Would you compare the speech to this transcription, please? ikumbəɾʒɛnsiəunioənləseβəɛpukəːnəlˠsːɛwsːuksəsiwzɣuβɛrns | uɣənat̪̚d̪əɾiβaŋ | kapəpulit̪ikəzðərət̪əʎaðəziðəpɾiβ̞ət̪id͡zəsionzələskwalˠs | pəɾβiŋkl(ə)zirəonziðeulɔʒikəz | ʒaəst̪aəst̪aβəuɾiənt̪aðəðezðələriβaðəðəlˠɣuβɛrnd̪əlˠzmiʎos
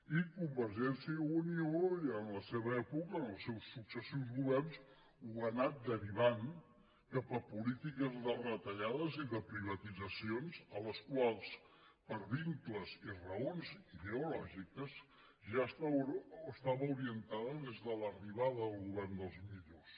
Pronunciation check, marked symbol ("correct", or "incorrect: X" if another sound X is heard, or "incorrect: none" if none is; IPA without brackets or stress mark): correct